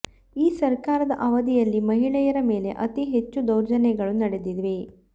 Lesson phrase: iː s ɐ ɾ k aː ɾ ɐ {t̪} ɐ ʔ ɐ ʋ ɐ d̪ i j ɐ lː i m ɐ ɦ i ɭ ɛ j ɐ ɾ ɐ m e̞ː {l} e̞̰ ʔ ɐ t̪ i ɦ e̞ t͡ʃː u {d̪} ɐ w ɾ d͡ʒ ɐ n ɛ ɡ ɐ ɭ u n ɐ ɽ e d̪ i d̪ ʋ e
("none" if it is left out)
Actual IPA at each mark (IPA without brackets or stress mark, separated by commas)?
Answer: d̪, l, d̪